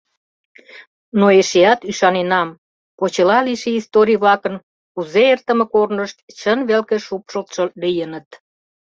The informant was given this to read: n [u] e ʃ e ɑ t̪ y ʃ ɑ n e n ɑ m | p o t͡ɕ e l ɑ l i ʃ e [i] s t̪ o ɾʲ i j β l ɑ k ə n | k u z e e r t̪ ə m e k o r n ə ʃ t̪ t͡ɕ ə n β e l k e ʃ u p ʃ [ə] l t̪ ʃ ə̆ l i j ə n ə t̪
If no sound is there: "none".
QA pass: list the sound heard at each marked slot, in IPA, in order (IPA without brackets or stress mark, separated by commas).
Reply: o, i, ə